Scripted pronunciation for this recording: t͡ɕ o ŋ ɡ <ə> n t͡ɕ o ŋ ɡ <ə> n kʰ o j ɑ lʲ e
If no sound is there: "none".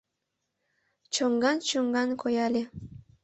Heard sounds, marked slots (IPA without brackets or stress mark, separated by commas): ɑ, ɑ